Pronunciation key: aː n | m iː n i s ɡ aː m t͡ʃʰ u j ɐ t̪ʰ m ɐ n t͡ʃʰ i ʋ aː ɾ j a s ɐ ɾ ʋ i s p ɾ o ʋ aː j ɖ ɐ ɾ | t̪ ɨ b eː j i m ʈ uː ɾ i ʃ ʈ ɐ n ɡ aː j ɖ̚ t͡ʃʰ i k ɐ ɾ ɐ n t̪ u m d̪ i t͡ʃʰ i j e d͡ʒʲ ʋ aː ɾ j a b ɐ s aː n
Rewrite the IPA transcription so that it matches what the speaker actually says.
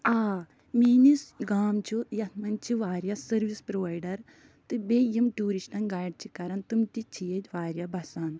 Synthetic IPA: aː | m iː n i s ɡ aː m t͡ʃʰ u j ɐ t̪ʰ m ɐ n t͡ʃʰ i ʋ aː ɾ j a s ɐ ɾ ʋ i s p ɾ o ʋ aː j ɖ ɐ ɾ | t̪ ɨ b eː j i m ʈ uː ɾ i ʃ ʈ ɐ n ɡ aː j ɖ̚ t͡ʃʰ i k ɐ ɾ ɐ n t̪ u m t̪ i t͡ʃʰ i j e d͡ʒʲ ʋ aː ɾ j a b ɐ s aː n

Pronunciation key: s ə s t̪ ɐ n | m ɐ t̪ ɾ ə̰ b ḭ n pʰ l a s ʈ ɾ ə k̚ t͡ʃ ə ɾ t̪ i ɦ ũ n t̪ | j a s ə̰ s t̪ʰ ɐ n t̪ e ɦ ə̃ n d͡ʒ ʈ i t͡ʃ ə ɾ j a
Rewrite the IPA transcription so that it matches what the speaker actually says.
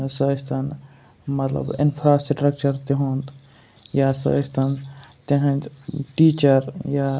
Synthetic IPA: s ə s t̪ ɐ n | m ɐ t̪ l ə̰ b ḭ n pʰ ɾ a s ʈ ɾ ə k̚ t͡ʃ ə ɾ t̪ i ɦ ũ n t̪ | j a s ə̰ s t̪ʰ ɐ n t̪ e ɦ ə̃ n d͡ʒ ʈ i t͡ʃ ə ɾ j a

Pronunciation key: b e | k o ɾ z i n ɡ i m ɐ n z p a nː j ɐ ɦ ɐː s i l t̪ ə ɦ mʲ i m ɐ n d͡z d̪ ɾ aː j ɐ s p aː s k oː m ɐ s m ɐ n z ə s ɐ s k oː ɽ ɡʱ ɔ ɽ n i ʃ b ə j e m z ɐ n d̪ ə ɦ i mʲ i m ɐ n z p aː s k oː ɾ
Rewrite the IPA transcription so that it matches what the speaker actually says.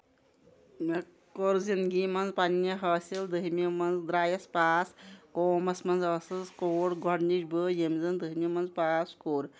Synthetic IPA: m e | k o ɾ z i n ɡ i m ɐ n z p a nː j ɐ ɦ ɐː s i l d̪ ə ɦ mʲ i m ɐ n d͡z d̪ ɾ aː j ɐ s p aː s k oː m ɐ s m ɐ n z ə s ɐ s k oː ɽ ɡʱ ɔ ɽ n i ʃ b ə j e m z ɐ n d̪ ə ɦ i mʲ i m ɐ n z p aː s k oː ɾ

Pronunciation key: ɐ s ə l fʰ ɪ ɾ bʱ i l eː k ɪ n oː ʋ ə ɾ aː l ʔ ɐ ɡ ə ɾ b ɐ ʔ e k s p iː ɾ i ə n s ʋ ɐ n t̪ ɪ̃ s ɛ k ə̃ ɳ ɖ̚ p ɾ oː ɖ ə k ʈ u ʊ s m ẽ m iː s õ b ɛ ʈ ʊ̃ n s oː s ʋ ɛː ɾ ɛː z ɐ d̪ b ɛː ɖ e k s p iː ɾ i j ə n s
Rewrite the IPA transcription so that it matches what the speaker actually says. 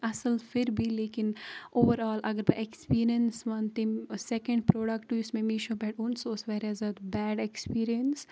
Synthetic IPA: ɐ s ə l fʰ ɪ ɾ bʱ i l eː k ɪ n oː ʋ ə ɾ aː l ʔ ɐ ɡ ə ɾ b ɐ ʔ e k s p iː ɾ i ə n s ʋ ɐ n t̪ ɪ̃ s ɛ k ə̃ ɳ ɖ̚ p ɾ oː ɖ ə k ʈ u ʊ s m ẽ m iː ʃ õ b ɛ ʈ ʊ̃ n s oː s ʋ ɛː ɾ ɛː z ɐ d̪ b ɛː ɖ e k s p iː ɾ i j ə n s

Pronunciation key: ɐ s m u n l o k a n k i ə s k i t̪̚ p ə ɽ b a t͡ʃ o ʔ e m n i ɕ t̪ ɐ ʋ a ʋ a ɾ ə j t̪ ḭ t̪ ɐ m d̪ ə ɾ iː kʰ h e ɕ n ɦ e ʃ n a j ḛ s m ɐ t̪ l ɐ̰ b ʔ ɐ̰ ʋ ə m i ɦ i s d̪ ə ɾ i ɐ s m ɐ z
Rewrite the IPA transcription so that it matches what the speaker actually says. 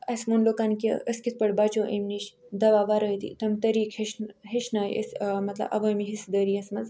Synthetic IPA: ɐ s m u n l o k a n k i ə s k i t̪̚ p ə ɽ b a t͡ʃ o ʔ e m n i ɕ d̪ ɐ ʋ a ʋ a ɾ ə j t̪ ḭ t̪ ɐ m t̪ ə ɾ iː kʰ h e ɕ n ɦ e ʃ n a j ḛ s m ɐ t̪ l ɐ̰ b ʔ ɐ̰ ʋ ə m i ɦ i s d̪ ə ɾ i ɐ s m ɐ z

